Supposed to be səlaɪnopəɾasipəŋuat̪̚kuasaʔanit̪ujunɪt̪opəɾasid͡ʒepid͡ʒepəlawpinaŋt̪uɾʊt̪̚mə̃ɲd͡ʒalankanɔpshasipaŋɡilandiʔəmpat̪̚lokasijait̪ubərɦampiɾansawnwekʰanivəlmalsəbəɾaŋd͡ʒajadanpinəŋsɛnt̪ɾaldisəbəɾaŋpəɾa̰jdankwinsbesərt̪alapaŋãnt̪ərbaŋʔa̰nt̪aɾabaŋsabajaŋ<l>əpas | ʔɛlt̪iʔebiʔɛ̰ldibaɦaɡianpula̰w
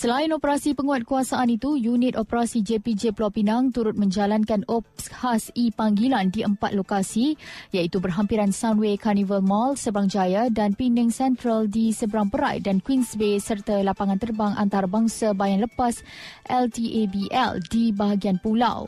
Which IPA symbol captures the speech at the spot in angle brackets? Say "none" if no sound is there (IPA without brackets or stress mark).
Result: l